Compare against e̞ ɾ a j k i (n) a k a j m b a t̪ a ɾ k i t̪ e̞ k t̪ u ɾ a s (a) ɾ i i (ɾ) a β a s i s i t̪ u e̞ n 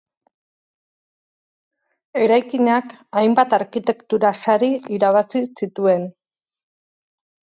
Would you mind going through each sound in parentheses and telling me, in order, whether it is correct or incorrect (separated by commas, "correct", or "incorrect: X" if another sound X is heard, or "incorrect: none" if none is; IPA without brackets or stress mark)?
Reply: incorrect: ɲ, correct, correct